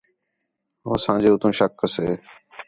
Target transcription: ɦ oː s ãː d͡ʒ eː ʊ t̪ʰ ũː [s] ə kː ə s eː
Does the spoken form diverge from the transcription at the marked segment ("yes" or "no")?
yes